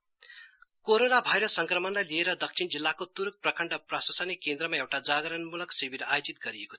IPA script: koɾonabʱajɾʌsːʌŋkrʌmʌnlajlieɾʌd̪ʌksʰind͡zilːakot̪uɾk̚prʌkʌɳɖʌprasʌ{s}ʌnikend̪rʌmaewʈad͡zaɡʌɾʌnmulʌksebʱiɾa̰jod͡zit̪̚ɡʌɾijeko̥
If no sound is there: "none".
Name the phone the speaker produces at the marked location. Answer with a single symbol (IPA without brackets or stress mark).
s